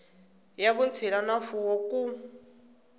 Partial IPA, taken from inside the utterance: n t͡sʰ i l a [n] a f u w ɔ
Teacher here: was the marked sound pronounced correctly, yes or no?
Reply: yes